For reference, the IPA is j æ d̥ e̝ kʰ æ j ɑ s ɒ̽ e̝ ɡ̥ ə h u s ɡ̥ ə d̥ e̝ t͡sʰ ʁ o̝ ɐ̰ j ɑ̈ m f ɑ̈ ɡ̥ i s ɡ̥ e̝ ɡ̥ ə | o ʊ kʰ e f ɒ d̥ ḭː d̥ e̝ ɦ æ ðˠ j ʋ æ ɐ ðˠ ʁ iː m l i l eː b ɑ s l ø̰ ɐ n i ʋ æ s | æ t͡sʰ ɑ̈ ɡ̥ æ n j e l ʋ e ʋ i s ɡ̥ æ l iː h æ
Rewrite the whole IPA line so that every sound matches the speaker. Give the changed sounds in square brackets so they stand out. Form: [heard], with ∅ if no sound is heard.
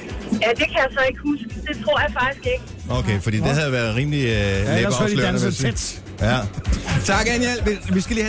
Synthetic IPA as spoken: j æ d̥ e̝ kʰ æ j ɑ s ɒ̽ e̝ ɡ̥ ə h u s ɡ̥ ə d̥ e̝ t͡sʰ ʁ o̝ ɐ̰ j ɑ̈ [∅] f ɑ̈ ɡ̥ i s ɡ̥ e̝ ɡ̥ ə | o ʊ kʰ e f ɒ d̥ ḭː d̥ e̝ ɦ æ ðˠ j ʋ æ ɐ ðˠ ʁ iː m l i l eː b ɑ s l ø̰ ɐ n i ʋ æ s | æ t͡sʰ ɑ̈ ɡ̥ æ n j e l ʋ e ʋ i s ɡ̥ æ l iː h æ